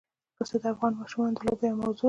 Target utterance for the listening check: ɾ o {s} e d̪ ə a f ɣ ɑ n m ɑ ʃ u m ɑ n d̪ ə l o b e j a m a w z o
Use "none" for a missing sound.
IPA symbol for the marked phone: s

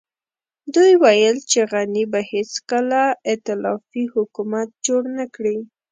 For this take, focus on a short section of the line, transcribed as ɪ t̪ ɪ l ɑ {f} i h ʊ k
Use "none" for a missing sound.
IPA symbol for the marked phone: f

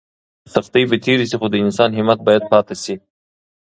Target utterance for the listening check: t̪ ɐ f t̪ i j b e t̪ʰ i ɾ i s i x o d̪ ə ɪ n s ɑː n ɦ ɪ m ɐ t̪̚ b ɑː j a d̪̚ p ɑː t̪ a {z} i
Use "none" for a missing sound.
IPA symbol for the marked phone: s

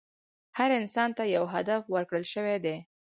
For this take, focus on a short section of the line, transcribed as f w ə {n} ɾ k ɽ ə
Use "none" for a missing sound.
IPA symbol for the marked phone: none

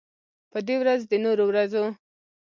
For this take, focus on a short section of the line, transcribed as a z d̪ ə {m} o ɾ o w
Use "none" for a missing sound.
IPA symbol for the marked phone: n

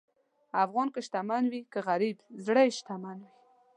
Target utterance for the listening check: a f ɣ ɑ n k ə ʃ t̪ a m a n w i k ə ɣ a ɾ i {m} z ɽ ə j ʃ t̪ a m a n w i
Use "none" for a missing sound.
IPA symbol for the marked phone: b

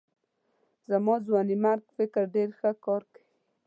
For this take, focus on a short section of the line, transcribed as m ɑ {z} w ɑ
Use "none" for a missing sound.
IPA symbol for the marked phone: z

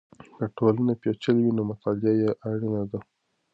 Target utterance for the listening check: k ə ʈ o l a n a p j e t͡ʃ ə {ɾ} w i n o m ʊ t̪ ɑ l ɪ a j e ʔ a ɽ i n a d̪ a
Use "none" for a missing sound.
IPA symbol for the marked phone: l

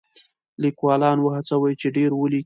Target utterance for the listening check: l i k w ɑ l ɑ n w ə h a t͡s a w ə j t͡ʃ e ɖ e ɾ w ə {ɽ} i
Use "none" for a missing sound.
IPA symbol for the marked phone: l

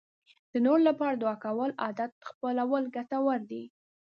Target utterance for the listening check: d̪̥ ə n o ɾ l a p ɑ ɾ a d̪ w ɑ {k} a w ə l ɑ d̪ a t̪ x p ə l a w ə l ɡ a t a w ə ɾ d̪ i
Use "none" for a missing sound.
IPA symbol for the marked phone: k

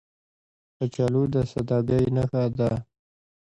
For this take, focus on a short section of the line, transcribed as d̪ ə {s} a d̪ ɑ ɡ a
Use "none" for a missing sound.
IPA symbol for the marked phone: s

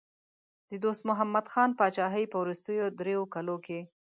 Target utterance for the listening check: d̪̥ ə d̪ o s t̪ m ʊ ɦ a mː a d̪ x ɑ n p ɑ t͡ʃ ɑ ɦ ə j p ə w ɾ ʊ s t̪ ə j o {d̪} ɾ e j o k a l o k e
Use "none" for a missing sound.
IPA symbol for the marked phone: d̪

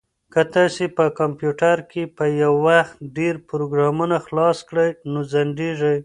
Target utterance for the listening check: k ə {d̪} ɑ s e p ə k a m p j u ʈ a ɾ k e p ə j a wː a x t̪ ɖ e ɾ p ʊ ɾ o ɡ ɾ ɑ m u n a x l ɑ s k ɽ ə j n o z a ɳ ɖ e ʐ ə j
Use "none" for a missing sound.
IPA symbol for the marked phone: t̪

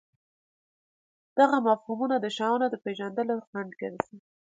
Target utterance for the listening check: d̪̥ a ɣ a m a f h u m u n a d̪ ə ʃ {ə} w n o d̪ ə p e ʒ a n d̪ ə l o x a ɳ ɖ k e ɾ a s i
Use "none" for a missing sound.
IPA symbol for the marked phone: ɑ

